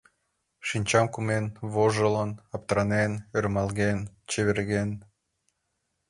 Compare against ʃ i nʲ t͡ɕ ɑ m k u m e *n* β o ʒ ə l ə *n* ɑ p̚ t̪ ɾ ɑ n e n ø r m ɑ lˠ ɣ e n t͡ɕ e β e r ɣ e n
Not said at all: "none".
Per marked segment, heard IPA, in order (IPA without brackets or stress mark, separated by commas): n, n